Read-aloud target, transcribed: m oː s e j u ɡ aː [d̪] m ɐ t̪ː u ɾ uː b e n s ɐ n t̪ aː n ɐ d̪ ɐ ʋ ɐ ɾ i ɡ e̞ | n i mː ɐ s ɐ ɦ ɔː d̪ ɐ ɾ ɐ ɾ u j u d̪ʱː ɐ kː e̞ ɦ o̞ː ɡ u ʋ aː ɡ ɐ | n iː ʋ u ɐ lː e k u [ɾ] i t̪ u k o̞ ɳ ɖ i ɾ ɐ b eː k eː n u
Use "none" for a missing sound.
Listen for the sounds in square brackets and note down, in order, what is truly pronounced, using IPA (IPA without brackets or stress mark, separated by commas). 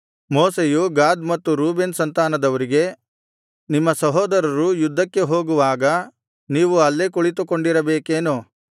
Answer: d̪, ɭ